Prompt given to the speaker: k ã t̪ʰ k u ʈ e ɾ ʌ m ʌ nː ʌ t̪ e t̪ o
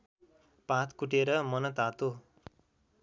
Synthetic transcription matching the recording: p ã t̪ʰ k u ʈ e ɾ ʌ m ʌ n ʌ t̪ a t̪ o